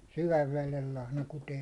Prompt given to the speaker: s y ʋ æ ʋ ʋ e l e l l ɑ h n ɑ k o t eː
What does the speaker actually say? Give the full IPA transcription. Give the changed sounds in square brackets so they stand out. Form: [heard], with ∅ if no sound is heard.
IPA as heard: s y ʋ æ ʋ ʋ e l e l l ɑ h n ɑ k [u] t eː